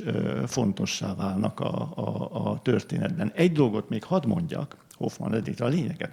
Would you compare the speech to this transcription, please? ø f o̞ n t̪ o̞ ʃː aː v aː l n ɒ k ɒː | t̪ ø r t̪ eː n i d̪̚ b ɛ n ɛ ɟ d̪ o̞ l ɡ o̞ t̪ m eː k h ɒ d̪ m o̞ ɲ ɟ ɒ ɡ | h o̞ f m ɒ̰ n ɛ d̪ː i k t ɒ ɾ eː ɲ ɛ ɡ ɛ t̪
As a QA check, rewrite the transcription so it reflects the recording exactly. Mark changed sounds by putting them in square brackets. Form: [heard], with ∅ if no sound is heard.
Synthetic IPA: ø f o̞ n t̪ o̞ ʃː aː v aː l n ɒ k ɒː | t̪ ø r t̪ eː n [ɛ] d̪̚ b ɛ n ɛ ɟ d̪ o̞ l ɡ o̞ t̪ m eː k h ɒ d̪ m o̞ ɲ ɟ ɒ [k] | h o̞ f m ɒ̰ n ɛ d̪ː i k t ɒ [l] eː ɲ ɛ ɡ ɛ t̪